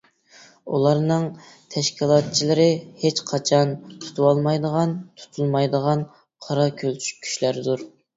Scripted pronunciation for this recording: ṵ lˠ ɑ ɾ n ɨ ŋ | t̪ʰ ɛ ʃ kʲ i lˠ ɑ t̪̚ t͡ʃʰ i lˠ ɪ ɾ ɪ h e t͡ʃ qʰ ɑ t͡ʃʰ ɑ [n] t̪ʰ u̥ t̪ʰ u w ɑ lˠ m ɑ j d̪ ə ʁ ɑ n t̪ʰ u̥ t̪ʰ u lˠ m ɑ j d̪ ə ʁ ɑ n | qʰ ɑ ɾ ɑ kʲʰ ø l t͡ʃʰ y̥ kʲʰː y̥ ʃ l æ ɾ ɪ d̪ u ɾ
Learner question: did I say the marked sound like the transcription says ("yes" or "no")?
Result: yes